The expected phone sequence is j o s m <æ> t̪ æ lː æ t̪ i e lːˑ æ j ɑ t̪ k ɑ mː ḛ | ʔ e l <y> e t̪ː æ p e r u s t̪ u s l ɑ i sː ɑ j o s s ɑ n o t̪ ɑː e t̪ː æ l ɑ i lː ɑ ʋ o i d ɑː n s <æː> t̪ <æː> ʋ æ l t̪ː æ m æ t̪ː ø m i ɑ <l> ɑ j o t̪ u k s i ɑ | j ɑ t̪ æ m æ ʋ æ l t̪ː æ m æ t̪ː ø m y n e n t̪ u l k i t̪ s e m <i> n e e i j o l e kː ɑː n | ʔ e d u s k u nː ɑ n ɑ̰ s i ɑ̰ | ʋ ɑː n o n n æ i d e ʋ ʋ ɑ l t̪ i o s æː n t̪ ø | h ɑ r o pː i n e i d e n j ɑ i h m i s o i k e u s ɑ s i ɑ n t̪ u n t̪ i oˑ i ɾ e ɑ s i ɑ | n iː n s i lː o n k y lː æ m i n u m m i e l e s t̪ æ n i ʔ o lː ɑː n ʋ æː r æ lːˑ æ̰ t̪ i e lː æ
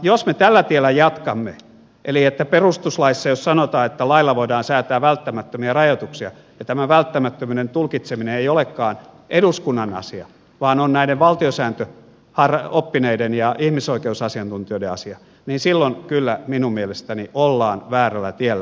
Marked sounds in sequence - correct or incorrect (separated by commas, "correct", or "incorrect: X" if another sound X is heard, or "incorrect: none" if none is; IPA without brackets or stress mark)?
incorrect: e, incorrect: i, correct, correct, incorrect: r, correct